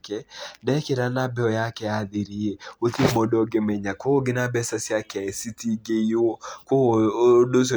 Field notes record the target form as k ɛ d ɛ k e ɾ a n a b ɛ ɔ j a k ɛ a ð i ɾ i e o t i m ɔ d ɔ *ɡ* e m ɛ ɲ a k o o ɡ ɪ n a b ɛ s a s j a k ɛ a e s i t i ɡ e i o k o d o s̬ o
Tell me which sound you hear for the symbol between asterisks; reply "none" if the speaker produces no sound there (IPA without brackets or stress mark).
ɡ